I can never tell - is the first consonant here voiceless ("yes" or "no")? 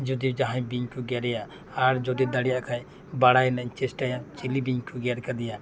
no